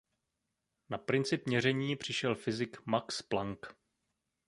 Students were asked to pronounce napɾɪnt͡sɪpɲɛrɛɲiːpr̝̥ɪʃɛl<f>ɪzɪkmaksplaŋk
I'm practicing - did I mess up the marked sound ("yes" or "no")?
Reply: no